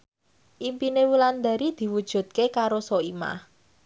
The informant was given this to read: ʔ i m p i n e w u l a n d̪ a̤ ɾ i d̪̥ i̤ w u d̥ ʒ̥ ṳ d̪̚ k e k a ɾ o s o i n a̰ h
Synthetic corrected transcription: ʔ i m p i n e w u l a n d̪ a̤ ɾ i d̪̥ i̤ w u d̥ ʒ̥ ṳ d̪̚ k e k a ɾ o s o i m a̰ h